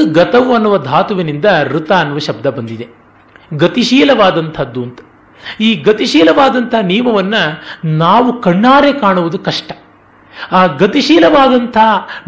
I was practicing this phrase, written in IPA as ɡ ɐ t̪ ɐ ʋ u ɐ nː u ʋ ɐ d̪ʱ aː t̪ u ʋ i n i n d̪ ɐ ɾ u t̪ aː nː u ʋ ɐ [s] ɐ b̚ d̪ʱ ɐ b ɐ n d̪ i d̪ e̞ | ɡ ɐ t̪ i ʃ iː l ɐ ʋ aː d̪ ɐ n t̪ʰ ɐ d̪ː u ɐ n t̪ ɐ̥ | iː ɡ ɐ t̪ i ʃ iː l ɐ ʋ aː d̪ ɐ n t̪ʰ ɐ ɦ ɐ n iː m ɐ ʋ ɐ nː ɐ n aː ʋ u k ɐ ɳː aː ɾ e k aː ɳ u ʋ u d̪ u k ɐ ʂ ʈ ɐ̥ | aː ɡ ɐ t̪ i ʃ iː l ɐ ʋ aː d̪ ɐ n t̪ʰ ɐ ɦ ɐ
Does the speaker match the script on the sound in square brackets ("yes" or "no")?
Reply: no